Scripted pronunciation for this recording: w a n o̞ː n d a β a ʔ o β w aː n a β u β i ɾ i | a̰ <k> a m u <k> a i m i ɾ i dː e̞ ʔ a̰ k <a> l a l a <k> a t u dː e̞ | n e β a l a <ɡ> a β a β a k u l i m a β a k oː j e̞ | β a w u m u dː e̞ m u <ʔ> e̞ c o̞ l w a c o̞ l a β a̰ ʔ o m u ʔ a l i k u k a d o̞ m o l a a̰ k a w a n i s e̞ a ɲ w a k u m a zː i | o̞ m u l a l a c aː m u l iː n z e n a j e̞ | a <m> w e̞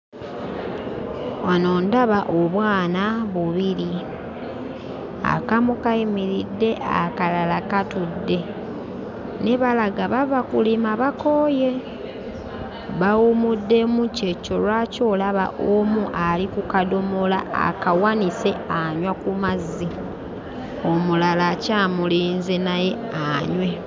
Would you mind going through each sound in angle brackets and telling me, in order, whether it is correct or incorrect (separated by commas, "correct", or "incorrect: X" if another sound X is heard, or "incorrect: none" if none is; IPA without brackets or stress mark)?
correct, correct, correct, correct, correct, incorrect: c, incorrect: ɲ